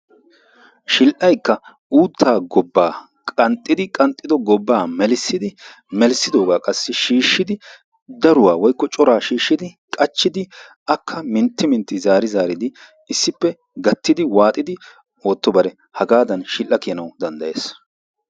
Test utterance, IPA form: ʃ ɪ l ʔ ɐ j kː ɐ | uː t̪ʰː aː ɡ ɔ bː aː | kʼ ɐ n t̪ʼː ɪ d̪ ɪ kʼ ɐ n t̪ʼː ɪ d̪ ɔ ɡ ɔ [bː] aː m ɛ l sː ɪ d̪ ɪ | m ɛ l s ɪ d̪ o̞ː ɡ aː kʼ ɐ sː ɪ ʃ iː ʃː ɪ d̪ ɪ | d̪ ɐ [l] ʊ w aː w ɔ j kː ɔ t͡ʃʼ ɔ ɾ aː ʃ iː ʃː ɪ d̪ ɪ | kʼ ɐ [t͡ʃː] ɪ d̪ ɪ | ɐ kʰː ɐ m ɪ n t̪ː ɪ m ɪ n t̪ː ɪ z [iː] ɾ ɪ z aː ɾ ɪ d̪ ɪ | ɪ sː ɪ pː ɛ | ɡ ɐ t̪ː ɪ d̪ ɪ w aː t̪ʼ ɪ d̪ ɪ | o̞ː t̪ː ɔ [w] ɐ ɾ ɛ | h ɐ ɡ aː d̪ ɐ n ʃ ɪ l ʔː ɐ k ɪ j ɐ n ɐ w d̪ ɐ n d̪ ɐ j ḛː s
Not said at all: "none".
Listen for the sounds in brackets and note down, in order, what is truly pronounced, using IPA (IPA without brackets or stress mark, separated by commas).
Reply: bː, ɾ, t͡ʃː, aː, b